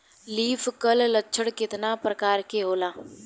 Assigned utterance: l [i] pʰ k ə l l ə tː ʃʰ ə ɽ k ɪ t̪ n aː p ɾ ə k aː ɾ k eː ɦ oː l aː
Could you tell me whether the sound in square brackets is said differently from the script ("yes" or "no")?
yes